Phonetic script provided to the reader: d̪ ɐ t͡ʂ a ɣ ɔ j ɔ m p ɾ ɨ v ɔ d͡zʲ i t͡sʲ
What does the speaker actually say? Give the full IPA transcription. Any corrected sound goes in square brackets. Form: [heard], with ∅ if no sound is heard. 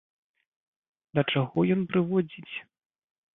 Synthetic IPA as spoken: d̪ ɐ t͡ʂ a ɣ ɔ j ɔ [n] p ɾ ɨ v ɔ d͡zʲ i t͡sʲ